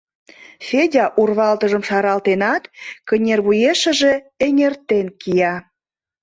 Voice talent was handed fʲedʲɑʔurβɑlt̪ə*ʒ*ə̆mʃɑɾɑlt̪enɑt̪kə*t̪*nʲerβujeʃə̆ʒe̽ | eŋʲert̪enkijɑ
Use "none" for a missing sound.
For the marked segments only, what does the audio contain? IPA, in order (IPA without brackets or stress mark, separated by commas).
ʒ, none